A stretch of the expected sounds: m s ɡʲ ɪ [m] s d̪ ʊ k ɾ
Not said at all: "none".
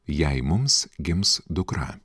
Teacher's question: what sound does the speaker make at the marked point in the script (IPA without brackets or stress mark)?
m